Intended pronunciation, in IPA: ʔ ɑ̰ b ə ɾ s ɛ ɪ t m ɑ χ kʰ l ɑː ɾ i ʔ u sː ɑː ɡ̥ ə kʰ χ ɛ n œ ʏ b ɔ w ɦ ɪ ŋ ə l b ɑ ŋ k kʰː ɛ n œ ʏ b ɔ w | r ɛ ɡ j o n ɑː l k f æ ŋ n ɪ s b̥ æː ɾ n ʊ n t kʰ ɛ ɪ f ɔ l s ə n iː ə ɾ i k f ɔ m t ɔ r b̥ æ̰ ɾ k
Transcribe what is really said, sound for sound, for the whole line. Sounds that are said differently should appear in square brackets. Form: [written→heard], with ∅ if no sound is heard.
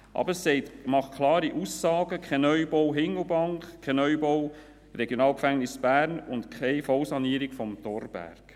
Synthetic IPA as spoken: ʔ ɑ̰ b ə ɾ s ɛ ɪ t m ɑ χ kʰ l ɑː ɾ i ʔ u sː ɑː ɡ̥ ə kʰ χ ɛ n œ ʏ b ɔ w ɦ ɪ ŋ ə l b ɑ ŋ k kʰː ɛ n œ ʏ b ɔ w | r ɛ ɡ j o n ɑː l k f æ ŋ n ɪ s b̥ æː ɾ n ʊ n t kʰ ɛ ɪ f ɔ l s [ə→ɑ] n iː ə ɾ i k f ɔ m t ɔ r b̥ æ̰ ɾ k

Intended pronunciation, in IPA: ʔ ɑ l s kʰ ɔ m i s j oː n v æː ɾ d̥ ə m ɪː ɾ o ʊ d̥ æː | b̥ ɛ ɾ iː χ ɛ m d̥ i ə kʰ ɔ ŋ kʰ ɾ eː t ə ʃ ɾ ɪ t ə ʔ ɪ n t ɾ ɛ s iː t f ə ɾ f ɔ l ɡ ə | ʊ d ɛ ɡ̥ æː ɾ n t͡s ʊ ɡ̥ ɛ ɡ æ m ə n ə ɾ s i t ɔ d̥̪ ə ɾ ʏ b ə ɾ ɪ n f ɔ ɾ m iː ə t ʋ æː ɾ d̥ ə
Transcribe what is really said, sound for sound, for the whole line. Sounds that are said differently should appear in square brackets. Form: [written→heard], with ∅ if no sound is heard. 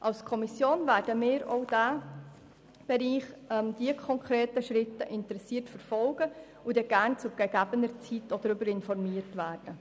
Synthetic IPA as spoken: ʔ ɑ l s kʰ ɔ m i s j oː n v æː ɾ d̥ ə m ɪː ɾ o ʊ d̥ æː | b̥ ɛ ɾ iː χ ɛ m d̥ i ə kʰ ɔ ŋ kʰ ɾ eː t ə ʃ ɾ ɪ t ə ʔ ɪ n t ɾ ɛ s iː t f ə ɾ f ɔ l ɡ ə | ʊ d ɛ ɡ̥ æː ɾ n t͡s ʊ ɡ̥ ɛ ɡ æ [m→b] ə n ə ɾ [s→t͡s] i t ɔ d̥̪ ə ɾ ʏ b ə ɾ ɪ n f ɔ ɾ m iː ə t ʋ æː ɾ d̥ ə

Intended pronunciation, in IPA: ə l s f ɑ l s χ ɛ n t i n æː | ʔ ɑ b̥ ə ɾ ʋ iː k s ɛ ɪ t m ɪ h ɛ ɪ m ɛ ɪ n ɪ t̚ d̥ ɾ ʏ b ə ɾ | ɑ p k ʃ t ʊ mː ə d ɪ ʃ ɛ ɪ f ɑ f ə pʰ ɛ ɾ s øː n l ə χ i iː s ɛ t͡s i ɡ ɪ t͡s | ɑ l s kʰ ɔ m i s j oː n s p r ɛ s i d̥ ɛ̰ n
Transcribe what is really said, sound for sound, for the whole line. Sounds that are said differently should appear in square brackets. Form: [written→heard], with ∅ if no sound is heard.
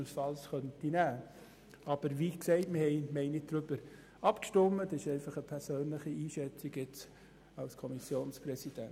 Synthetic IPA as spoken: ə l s f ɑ l s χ [ɛ→œ] n t i n æː | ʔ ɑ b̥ ə ɾ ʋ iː k s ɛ ɪ t m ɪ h ɛ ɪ m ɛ ɪ n ɪ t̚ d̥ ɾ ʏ b ə ɾ | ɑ p k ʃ t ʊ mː ə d ɪ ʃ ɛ ɪ f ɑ [f→χ] ə pʰ ɛ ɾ s øː n l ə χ i iː [s→ʃ] ɛ t͡s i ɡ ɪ t͡s | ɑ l s kʰ ɔ m i s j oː n s p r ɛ s i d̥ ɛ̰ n

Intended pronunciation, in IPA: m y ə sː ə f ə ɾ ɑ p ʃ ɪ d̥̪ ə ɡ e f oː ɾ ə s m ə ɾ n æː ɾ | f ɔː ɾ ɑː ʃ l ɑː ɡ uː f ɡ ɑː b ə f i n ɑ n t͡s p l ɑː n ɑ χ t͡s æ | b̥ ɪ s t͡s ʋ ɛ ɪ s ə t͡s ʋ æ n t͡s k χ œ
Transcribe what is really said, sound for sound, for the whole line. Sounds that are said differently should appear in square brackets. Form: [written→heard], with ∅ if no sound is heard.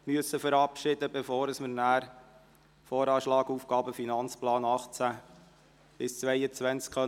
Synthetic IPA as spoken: m y ə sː ə f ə ɾ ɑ p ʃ ɪ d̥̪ ə [ɡ→b] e f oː ɾ ə s m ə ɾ n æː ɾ | f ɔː ɾ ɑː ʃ l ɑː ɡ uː f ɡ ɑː b ə f i n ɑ n t͡s p l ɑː n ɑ χ t͡s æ | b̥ ɪ s t͡s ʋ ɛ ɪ [s→∅] ə t͡s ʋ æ n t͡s k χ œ

